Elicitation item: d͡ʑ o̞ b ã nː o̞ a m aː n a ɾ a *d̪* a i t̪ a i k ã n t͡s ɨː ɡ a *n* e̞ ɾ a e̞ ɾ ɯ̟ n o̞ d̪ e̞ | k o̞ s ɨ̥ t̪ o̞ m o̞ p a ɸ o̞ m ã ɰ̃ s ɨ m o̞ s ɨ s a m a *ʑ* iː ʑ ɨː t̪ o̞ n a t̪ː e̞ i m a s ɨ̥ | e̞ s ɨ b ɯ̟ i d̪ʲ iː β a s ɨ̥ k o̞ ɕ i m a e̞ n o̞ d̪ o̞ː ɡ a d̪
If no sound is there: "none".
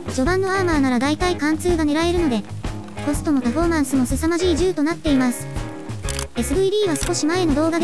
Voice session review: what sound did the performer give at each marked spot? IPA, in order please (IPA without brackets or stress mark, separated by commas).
d̪, n, ʑ